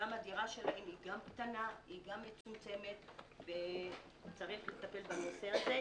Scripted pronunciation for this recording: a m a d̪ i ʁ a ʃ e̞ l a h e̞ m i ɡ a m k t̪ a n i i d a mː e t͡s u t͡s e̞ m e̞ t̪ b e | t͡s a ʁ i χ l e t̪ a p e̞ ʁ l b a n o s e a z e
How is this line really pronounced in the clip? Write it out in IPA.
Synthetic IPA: a m a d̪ i ʁ a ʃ e̞ l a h e̞ m i ɡ a m k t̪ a n a i ɡ a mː e t͡s u t͡s e̞ m e̞ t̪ b e | t͡s a ʁ i χ l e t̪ a p e̞ l b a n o s e a z e